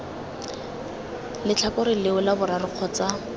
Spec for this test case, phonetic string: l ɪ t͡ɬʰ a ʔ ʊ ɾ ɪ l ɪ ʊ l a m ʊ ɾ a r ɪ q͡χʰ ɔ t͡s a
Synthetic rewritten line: l ɪ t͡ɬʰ a k ʊ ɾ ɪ l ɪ ʊ l a b ʊ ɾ a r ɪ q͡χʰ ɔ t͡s a